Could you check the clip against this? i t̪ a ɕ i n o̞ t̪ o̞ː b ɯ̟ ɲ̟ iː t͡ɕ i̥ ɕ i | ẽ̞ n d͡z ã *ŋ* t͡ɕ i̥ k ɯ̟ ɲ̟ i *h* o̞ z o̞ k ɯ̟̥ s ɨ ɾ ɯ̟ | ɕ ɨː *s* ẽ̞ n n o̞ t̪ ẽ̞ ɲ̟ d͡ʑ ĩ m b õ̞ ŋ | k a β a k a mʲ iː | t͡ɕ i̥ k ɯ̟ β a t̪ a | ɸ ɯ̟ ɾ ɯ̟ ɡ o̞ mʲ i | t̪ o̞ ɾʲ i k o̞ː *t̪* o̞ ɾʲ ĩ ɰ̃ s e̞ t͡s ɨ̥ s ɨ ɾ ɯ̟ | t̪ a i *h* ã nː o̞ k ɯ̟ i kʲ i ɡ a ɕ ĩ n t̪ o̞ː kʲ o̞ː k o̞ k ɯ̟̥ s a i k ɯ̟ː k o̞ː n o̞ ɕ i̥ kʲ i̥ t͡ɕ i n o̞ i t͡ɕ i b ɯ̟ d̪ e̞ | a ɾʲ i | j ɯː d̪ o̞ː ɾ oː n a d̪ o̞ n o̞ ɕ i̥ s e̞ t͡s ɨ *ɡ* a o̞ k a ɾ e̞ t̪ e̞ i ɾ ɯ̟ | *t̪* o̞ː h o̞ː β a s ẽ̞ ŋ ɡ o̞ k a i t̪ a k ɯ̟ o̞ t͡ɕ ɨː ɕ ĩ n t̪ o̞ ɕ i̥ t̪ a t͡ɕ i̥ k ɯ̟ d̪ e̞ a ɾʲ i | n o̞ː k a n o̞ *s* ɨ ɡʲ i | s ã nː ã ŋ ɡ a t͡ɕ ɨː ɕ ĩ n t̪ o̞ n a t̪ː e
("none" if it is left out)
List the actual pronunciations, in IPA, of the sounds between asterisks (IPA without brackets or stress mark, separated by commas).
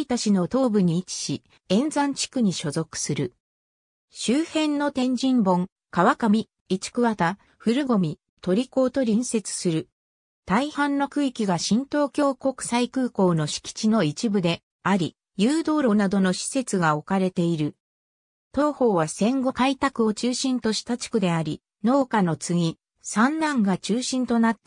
ɲ, ɕ, h, t̪, h, ɡ, t̪, t͡s